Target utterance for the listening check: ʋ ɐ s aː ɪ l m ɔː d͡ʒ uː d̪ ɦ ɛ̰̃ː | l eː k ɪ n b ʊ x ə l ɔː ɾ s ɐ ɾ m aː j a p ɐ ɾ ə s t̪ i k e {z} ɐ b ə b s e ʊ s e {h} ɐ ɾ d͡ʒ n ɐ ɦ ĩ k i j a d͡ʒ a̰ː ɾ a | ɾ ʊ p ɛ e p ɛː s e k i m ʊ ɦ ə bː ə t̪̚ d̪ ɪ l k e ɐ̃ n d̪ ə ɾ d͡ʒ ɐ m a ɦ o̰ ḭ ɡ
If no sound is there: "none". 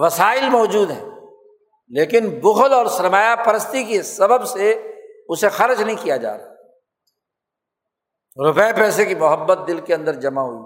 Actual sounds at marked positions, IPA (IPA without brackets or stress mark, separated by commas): s, x